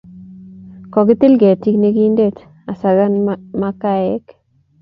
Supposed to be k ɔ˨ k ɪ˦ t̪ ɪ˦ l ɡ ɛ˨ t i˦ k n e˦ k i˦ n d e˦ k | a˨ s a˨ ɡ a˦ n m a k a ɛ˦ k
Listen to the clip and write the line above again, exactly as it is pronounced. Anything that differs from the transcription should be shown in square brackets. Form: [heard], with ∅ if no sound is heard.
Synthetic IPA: k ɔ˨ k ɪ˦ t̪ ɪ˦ l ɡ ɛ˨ t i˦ k n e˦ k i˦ n d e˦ [t] | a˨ s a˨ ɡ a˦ n m a k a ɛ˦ k